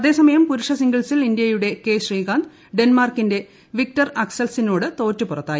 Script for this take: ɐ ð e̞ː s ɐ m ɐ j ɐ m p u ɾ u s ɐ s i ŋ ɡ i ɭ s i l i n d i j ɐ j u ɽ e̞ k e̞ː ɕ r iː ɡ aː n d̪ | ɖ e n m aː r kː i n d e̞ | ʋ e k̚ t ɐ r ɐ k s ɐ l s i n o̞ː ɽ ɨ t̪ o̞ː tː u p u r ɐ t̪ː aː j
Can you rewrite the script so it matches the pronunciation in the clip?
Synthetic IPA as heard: ɐ ð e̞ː s ɐ m ɐ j ɐ m p u ɾ u ʂ ɐ s i ŋ ɡ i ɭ s i l i n d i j ɐ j u ɽ e̞ k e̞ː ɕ r iː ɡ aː n d̪ | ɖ e n m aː r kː i n d e̞ | ʋ i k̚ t ɐ r ɐ k s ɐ l s i n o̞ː ɽ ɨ t̪ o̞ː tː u p u r ɐ t̪ː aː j